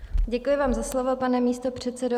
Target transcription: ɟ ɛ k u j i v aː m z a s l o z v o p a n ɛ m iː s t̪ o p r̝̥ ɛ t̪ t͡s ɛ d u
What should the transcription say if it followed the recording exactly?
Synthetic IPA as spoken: ɟ ɛ k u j ɪ v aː m z a s l o v o p a n ɛ m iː s t̪ o p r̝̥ ɛ t̪ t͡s ɛ d o